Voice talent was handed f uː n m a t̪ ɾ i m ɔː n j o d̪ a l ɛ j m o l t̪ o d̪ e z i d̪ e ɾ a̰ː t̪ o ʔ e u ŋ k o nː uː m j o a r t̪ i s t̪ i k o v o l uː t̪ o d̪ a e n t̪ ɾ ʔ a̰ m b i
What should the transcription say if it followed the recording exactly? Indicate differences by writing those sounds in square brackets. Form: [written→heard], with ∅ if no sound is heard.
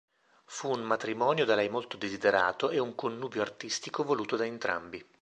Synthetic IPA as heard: f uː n m a t̪ ɾ i m ɔː n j o d̪ a l ɛ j m o l t̪ o d̪ e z i d̪ e ɾ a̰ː t̪ o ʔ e u ŋ k o nː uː [m→b] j o a r t̪ i s t̪ i k o v o l uː t̪ o d̪ a e n t̪ ɾ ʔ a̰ m b i